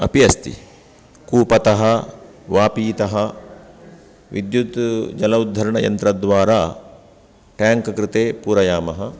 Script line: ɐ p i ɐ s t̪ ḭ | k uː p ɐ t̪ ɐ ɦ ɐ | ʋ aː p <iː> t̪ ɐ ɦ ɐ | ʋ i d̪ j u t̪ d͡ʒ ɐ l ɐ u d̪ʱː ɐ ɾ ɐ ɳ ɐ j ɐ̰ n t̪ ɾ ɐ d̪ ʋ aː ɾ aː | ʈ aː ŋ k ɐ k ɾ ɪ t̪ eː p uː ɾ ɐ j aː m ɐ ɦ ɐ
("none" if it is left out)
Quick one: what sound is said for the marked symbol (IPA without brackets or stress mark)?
iː